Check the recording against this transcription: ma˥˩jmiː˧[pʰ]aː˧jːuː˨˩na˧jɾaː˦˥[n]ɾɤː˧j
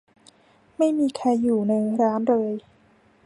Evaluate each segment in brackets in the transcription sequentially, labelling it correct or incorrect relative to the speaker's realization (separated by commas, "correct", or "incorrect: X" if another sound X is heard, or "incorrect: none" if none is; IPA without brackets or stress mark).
incorrect: kʰ, correct